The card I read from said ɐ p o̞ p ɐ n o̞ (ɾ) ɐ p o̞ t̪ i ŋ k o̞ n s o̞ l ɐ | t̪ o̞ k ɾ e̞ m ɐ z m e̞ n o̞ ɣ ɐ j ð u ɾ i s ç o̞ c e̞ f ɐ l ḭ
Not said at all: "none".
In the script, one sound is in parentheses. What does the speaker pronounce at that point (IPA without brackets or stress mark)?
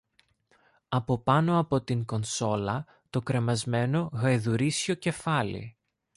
none